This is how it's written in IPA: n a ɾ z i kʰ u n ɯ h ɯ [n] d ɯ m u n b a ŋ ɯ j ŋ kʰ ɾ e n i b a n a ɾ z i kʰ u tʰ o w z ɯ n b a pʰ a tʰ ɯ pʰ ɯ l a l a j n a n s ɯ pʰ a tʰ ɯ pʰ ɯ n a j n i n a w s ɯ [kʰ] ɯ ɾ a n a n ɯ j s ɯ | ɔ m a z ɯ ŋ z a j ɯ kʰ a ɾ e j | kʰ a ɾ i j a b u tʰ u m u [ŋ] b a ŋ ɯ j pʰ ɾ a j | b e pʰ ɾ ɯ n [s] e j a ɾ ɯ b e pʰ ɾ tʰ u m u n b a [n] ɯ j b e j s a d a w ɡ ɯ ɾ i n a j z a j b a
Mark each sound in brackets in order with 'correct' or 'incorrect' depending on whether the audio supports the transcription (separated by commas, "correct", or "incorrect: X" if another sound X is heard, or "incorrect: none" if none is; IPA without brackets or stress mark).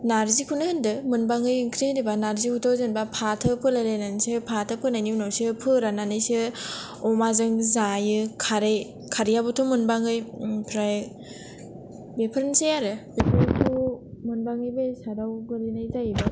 correct, incorrect: pʰ, incorrect: n, correct, incorrect: ŋ